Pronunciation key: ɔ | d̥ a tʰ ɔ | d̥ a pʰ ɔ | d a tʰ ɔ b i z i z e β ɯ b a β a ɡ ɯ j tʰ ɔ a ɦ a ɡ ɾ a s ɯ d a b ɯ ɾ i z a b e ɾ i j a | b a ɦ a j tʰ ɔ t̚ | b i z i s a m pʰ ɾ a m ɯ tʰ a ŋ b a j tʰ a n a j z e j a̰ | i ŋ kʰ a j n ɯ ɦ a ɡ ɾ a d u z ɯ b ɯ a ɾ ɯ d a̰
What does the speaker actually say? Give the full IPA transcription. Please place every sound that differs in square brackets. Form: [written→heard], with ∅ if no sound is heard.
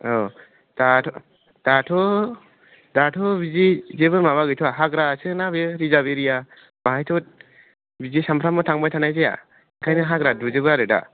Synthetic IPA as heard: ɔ | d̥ a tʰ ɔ | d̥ a [pʰ→tʰ] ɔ | d a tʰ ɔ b i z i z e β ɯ [b→m] a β a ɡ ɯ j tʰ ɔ a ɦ a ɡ ɾ a s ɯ [d→n] a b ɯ ɾ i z a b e ɾ i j a | b a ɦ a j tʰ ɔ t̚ | b i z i s a m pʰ ɾ a m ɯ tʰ a ŋ b a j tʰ a n a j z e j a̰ | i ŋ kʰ a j n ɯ ɦ a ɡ ɾ a d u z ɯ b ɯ a ɾ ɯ d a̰